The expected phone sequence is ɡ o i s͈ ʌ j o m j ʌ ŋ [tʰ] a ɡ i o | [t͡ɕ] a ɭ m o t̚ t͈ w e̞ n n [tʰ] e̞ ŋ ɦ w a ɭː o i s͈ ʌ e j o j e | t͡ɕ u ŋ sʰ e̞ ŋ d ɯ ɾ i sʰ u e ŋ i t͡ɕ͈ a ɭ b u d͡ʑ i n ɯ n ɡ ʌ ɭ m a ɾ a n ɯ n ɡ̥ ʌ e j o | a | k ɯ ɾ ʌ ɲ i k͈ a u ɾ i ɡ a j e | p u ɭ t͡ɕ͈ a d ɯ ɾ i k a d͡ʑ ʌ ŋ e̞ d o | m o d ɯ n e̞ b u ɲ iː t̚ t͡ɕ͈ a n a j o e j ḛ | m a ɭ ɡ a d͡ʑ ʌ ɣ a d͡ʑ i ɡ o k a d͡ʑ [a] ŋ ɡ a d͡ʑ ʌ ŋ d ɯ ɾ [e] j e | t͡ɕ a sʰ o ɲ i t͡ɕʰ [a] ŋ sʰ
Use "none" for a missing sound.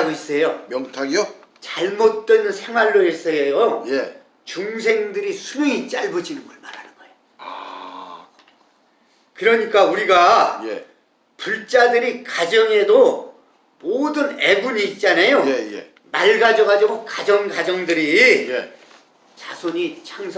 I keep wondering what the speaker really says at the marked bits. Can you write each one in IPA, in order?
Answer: tʰ, t͡ɕ, sʰ, ʌ, i, a

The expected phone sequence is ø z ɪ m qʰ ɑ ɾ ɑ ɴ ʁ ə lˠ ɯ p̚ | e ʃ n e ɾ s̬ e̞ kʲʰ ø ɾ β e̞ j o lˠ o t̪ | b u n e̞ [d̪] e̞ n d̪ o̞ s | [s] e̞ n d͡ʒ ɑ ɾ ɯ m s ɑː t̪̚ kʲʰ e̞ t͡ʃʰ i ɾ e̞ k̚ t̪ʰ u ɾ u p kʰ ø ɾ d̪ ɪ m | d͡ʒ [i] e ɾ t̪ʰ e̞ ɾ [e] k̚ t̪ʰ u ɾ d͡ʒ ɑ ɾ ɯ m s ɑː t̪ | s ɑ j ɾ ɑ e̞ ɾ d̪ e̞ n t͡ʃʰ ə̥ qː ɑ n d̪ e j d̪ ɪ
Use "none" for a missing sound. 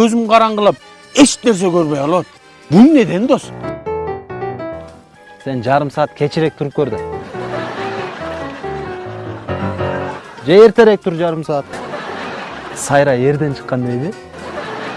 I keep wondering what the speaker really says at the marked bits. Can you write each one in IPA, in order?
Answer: d̪, s, e, e

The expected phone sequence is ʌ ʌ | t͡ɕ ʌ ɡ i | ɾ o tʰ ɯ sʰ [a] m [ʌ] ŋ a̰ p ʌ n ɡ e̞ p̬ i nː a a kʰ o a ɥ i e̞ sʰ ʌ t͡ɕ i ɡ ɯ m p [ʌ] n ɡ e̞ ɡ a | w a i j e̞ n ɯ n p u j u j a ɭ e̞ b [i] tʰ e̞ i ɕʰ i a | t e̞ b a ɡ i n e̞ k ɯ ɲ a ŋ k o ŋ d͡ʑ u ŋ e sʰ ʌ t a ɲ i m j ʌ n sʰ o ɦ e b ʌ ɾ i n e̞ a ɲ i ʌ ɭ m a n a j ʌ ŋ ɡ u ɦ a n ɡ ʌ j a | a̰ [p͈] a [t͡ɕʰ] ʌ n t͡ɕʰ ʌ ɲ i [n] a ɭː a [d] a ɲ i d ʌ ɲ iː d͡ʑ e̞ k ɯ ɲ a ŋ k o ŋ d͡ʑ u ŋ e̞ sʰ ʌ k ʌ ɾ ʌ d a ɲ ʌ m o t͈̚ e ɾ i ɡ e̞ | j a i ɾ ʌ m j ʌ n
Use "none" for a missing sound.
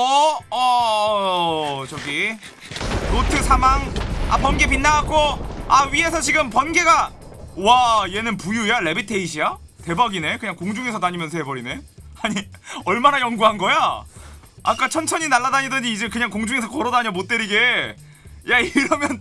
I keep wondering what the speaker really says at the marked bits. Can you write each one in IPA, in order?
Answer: a, a, ʌ, i, k͈, t͡ɕʰ, n, d

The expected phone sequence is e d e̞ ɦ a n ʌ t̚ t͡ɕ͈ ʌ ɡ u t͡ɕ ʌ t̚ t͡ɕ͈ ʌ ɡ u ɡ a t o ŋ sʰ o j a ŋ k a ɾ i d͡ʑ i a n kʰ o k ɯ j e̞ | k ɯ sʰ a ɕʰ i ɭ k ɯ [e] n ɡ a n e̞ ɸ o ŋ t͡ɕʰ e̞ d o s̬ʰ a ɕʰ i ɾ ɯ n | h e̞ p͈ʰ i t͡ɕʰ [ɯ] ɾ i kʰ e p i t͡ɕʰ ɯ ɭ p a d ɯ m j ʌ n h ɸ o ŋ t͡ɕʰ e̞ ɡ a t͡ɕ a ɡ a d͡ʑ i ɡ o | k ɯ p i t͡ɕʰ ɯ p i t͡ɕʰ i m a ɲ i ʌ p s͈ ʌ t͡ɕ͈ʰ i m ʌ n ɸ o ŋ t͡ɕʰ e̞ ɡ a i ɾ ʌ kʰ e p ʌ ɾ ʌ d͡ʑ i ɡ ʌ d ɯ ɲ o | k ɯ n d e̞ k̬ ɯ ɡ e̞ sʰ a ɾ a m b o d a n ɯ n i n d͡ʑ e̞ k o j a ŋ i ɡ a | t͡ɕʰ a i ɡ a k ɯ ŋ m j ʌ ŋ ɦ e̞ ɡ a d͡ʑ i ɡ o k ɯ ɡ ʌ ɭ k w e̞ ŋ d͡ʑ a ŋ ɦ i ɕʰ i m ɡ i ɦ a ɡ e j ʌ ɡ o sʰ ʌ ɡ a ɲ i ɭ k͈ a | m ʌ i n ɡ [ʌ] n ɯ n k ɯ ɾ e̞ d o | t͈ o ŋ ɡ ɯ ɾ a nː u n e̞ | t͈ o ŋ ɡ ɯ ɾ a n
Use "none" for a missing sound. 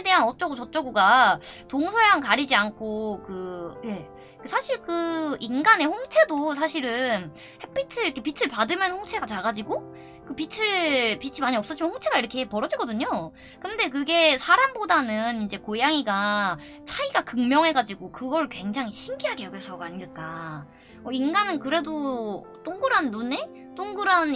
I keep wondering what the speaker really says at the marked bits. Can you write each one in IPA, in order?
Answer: i, ɯ, a

